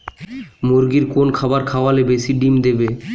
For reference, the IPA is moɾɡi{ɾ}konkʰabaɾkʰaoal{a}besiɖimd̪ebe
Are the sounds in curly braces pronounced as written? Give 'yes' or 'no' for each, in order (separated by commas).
yes, no